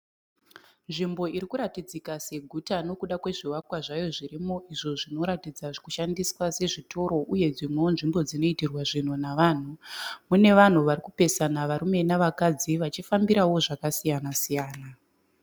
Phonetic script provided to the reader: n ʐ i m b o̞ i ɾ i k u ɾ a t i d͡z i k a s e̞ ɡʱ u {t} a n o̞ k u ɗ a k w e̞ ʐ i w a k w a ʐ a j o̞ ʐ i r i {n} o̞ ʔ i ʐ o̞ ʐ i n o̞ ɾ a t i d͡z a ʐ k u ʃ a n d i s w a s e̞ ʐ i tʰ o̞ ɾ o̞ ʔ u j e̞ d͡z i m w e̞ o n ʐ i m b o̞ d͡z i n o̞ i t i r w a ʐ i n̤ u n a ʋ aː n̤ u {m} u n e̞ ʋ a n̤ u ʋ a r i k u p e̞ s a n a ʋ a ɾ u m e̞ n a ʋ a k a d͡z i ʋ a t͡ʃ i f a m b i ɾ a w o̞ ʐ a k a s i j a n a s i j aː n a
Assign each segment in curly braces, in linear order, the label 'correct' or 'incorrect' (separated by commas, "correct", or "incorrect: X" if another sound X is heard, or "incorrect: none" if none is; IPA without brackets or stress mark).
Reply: correct, incorrect: m, correct